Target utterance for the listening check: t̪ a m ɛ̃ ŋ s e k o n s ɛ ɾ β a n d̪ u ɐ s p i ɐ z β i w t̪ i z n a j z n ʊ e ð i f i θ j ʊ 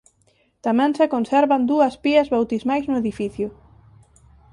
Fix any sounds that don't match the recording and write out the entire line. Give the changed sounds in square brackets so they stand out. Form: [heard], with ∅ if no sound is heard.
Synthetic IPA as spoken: t̪ a m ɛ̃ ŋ s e k o n s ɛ ɾ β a n d̪ u ɐ s p i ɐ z β [a] w t̪ i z [m] a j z n ʊ e ð i f i θ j ʊ